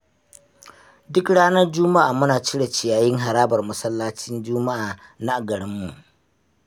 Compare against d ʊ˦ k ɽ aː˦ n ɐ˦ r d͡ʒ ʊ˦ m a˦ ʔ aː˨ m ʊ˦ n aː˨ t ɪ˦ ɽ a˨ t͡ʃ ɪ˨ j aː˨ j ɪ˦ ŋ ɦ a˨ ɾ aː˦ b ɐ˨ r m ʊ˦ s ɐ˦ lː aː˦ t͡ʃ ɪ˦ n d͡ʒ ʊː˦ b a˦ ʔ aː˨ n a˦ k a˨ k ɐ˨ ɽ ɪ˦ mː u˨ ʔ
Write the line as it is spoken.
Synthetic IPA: d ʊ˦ k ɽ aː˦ n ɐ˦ r d͡ʒ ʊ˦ m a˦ ʔ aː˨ m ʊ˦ n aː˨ t͡ʃ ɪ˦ ɽ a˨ t͡ʃ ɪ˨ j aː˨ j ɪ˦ ŋ ɦ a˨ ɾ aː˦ b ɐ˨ r m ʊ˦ s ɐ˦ lː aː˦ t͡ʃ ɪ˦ n d͡ʒ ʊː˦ m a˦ ʔ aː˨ n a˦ ʔ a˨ ɡ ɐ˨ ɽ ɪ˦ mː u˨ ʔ

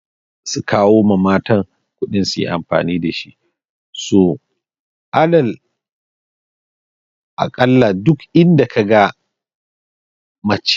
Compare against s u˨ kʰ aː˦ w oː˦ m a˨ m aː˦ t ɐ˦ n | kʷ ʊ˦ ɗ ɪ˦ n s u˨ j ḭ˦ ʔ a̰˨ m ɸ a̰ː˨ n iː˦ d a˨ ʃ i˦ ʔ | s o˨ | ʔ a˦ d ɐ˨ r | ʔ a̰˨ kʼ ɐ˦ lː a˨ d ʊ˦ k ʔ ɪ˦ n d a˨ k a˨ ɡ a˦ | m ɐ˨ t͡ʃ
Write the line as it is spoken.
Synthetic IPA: s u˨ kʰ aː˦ w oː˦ m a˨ m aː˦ t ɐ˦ ŋ | kʷ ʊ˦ ɗ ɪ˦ n s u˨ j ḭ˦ ʔ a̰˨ m ɸ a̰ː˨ n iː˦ d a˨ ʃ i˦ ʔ | s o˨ | ʔ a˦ d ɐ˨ l | ʔ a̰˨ kʼ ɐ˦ lː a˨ d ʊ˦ k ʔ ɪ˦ n d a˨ k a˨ ɡ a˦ | m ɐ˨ t͡ʃ

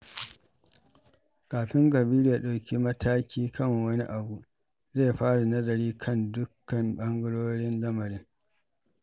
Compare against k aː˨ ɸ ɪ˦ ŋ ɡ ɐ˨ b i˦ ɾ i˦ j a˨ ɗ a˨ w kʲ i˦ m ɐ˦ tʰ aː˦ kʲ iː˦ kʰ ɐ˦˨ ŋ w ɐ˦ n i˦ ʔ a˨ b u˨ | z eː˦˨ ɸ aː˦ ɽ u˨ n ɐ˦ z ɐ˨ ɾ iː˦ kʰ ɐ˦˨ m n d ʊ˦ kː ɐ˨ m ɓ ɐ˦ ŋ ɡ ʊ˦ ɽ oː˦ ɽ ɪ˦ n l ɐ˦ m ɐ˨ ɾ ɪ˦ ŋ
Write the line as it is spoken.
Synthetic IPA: k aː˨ ɸ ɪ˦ ŋ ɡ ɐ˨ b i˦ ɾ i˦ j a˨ ɗ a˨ w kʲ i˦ m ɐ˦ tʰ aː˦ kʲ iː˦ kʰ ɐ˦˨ ŋ w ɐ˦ n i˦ ʔ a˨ b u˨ | z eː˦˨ ɸ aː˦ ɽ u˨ n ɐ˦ z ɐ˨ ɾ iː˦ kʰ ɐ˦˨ n d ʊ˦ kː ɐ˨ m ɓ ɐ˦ ŋ ɡ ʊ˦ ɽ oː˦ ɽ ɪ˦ n l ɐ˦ m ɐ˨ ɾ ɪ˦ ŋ

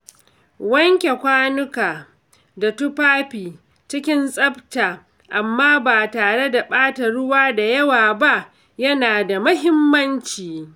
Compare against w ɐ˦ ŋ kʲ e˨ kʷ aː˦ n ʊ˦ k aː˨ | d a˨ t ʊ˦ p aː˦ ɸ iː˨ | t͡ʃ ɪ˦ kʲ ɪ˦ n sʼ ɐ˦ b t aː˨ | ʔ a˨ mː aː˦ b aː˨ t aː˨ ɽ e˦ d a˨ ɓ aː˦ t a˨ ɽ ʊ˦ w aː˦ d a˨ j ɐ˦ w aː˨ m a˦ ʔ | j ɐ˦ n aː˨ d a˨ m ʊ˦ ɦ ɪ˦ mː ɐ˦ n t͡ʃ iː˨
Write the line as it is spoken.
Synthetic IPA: w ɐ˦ ŋ kʲ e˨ kʷ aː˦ n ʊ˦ k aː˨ | d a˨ t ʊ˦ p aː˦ ɸ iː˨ | t͡ʃ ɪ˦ kʲ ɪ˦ n sʼ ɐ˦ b t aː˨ | ʔ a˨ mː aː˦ b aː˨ t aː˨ ɽ e˦ d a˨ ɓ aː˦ t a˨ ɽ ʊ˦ w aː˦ d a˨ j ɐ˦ w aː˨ b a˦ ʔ | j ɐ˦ n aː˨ d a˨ m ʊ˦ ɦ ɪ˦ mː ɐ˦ n t͡ʃ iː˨

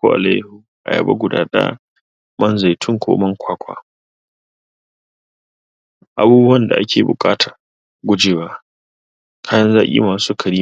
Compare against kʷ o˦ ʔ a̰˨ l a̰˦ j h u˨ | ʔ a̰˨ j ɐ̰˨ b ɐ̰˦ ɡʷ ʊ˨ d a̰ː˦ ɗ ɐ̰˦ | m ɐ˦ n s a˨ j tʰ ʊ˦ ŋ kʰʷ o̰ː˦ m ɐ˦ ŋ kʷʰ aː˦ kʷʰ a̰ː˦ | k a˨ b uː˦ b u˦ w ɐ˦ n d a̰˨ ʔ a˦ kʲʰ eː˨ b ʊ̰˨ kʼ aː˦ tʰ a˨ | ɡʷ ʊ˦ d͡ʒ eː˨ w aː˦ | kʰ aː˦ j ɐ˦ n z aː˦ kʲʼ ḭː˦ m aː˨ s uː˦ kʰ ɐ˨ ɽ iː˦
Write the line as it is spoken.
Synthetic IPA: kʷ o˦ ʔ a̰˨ l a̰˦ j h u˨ | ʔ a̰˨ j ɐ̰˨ b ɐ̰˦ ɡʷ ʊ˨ d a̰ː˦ ɗ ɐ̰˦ | m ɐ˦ n z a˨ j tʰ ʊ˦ ŋ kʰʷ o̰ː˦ m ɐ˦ ŋ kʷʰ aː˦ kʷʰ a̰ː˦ | ʔ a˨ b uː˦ b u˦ w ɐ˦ n d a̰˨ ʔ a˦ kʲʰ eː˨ b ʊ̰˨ kʼ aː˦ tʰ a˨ | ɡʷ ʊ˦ d͡ʒ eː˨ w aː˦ | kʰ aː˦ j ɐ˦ n z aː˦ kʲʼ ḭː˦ m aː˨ s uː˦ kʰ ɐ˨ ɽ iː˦

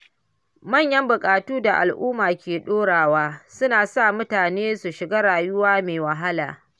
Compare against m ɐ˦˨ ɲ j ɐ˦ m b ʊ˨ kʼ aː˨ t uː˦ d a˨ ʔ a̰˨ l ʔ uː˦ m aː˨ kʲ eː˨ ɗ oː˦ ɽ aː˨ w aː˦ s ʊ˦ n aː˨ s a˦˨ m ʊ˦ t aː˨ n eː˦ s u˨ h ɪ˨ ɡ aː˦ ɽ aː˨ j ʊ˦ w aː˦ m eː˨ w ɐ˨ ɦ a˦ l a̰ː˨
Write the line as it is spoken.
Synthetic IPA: m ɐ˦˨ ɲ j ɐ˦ m b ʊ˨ kʼ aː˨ t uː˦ d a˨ ʔ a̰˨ l ʔ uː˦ m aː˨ kʲ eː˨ ɗ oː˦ ɽ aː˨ w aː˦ s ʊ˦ n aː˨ s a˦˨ m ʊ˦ t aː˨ n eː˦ s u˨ ʃ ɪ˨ ɡ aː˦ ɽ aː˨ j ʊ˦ w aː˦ m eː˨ w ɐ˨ ɦ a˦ l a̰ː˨

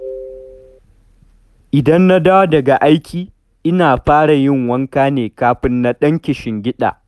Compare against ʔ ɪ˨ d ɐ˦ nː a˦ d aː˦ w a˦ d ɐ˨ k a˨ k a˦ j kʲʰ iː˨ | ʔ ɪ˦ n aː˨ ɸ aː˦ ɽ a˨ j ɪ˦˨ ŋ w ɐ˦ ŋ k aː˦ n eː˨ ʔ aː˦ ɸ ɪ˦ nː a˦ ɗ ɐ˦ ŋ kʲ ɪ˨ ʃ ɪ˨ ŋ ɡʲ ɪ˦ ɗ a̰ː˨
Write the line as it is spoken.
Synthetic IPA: ʔ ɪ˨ d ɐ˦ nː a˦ d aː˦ w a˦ d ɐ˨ ɡ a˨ ʔ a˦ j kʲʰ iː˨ | ʔ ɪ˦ n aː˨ ɸ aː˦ ɽ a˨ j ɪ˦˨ ŋ w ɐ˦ ŋ k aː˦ n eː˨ k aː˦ ɸ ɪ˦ nː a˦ ɗ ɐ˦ ŋ kʲ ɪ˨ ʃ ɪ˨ ŋ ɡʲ ɪ˦ ɗ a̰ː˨

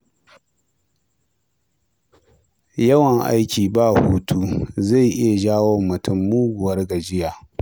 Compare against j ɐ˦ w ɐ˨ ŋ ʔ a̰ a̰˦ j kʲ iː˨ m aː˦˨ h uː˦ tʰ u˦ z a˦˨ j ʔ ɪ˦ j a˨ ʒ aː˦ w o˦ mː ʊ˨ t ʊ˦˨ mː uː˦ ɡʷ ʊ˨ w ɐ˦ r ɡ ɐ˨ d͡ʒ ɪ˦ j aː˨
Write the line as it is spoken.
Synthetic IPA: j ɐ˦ w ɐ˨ ŋ ʔ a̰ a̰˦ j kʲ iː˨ b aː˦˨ h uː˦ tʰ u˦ z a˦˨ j ʔ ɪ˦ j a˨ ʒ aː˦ w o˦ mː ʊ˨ t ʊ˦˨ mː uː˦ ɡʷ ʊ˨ w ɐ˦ r ɡ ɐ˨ d͡ʒ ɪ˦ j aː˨

